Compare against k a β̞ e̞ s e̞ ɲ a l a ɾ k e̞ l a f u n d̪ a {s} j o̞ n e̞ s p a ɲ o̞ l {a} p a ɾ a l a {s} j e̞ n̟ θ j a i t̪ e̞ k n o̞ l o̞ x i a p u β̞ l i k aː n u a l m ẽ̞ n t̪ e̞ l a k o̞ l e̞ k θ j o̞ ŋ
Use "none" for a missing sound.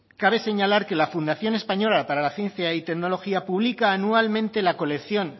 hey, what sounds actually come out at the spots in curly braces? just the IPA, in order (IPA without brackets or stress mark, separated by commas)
θ, a, θ